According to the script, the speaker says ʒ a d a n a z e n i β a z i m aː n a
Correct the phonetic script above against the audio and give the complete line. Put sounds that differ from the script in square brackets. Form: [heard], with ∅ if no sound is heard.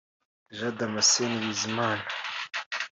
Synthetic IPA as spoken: ʒ a d a [m] a [s] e n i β [i] z i m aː n a